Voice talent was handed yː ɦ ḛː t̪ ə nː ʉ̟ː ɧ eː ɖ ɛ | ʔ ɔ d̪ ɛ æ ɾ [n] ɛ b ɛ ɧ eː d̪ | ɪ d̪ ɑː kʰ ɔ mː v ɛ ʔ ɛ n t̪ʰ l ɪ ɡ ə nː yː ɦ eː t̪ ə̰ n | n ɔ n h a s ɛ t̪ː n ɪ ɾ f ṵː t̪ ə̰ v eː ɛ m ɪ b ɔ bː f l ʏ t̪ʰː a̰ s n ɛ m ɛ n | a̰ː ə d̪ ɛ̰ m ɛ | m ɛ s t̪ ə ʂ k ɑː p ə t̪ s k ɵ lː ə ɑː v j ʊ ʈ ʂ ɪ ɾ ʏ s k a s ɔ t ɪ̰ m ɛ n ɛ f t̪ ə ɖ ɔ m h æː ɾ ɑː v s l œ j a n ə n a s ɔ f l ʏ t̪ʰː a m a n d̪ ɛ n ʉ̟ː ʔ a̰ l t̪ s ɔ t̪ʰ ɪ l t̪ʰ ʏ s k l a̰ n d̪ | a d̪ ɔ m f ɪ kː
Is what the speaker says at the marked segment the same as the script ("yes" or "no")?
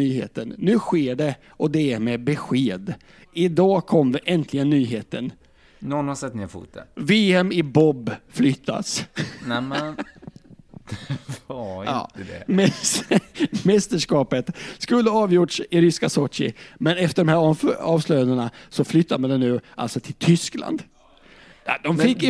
no